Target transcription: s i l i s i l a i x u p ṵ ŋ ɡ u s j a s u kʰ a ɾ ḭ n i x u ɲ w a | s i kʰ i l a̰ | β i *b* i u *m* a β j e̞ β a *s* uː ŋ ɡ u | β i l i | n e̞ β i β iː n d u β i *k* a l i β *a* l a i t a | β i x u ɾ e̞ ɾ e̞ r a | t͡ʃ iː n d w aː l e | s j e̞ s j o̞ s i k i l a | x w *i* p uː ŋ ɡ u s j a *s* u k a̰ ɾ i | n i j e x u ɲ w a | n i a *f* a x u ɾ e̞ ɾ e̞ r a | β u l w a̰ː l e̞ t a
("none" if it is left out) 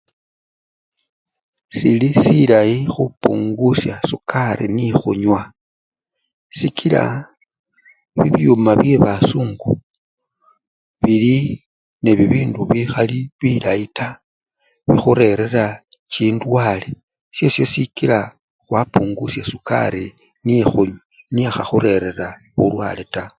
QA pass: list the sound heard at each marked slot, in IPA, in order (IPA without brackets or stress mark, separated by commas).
β, m, s, x, i, a, s, x